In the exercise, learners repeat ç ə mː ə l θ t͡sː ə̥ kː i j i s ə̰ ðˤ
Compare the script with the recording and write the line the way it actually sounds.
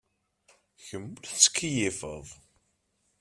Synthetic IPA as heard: ç ə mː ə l θ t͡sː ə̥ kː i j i f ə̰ ðˤ